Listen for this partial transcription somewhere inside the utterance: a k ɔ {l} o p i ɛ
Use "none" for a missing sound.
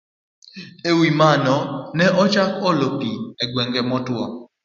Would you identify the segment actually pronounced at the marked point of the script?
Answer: l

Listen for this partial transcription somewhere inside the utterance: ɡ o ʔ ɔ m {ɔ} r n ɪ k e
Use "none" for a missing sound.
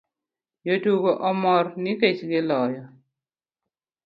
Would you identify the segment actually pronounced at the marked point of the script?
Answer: ɔ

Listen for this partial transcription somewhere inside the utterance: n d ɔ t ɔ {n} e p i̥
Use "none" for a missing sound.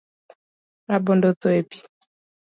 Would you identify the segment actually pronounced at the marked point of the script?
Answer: none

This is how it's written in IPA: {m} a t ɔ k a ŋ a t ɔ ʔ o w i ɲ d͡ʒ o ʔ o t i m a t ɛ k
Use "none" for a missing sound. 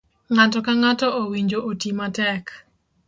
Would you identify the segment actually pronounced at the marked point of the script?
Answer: ŋ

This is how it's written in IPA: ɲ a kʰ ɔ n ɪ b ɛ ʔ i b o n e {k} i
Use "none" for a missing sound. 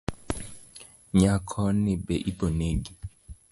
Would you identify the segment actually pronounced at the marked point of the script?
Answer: ɡ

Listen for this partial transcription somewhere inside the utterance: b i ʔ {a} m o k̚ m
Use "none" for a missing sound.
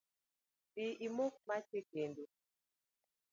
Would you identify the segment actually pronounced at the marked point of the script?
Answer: i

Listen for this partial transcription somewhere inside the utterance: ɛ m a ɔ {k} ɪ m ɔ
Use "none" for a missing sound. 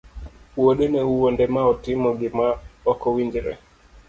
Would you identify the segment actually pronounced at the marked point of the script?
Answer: t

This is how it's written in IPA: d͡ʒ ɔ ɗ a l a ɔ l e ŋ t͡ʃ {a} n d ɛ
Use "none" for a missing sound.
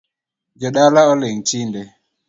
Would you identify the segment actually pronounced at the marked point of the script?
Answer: i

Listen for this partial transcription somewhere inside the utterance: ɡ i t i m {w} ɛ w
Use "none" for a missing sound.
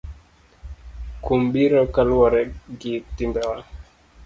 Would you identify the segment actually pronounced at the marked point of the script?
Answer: b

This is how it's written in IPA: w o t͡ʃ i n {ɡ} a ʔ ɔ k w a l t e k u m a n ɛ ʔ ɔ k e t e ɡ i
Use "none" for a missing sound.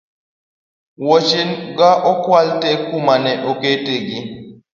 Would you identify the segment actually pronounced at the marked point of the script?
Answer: ɡ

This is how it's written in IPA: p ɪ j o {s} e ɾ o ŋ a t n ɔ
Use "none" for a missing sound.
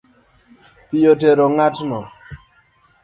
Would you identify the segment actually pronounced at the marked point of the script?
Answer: t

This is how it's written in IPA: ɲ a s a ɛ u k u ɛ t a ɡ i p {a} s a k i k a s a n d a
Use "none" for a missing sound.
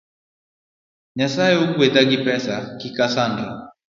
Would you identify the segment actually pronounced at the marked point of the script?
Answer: ɛ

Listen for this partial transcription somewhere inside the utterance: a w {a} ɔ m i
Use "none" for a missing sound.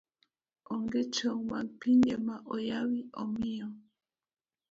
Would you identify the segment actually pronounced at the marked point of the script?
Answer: i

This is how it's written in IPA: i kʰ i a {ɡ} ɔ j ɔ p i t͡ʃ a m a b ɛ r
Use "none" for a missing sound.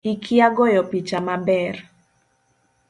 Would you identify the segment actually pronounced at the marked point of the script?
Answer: ɡ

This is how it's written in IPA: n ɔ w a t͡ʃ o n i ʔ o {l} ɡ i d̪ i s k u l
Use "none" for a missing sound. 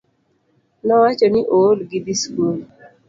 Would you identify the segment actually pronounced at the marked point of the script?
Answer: l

